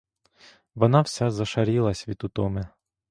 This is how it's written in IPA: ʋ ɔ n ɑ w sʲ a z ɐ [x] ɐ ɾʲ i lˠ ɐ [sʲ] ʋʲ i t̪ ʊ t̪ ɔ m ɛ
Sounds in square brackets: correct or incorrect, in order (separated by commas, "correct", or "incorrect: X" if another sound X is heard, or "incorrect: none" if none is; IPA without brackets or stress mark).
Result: incorrect: ʃ, correct